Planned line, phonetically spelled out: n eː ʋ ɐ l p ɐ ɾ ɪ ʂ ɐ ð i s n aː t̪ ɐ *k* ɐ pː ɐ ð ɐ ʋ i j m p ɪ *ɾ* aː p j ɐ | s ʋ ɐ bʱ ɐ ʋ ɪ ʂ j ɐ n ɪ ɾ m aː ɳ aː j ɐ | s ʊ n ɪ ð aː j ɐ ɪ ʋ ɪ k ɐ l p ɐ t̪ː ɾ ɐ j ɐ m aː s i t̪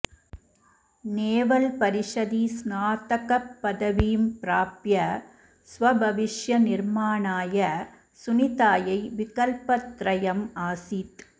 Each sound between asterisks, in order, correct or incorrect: correct, correct

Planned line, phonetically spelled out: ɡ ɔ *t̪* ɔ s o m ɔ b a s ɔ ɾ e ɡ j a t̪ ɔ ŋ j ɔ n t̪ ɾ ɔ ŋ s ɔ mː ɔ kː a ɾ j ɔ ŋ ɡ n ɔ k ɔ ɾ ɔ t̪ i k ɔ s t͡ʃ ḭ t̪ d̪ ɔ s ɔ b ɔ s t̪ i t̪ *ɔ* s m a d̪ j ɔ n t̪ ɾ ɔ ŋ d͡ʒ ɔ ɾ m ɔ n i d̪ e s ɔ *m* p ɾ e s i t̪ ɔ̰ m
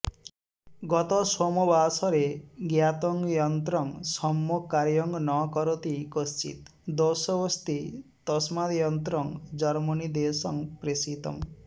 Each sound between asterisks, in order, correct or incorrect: correct, correct, incorrect: ŋ

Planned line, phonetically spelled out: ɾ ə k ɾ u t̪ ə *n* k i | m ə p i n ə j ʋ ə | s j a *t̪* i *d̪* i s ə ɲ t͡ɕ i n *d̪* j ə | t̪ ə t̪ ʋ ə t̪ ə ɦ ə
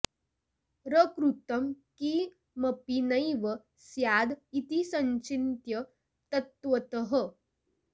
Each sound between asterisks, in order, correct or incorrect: incorrect: m, incorrect: d̪, incorrect: t̪, incorrect: t̪

